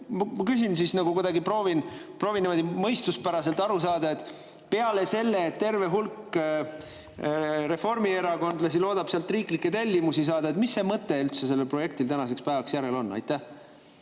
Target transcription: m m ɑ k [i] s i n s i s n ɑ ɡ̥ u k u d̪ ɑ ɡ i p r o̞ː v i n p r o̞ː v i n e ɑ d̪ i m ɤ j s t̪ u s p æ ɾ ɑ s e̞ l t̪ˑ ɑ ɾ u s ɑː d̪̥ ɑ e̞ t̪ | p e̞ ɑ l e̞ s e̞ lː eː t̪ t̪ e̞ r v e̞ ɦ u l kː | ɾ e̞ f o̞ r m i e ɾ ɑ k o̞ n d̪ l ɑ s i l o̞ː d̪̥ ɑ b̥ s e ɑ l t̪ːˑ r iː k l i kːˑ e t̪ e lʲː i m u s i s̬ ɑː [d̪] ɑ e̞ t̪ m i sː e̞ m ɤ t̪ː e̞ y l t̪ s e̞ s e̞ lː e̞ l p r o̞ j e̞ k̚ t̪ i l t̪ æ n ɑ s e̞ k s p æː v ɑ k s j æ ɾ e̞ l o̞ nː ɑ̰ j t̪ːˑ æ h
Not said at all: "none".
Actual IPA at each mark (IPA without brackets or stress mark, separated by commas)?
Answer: y, d̪